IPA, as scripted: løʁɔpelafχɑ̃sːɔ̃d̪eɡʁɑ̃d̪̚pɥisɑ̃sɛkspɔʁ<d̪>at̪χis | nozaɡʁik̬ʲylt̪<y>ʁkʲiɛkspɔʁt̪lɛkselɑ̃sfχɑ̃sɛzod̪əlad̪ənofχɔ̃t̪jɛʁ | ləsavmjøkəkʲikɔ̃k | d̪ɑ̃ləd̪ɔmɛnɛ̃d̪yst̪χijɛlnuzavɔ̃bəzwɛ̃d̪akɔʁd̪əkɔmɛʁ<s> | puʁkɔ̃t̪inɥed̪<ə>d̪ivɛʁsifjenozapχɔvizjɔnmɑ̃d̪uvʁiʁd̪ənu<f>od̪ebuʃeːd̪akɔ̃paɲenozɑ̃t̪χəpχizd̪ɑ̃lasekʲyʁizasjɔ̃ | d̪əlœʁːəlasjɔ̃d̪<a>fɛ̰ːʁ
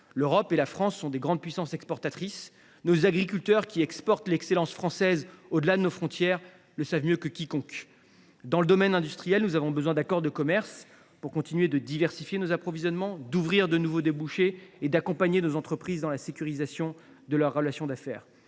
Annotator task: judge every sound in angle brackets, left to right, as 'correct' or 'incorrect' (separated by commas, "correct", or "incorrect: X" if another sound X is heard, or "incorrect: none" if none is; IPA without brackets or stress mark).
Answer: incorrect: t̪, incorrect: œ, correct, correct, incorrect: v, correct